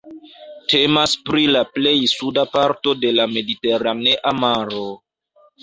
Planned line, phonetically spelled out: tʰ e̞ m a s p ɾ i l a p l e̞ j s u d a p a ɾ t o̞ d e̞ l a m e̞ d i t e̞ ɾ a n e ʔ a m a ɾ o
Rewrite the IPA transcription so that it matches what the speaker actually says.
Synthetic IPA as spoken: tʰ e̞ m a s p ɾ i l a p l e̞ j s u d a p a ɾ t o̞ d e̞ l a m e̞ d i t e̞ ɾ a n e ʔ a m a ɾ o